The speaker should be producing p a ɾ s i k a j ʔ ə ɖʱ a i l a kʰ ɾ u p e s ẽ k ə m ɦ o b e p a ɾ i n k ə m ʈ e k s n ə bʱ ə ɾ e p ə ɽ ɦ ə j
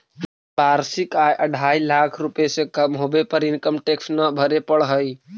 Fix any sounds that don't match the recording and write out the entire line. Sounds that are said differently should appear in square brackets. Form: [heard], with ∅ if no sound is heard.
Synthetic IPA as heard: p a ɾ s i k a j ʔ ə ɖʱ a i l a kʰ ɾ u p e s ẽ k ə m ɦ o b e p [ə] ɾ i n k ə m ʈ e k s n ə bʱ ə ɾ e p ə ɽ ɦ ə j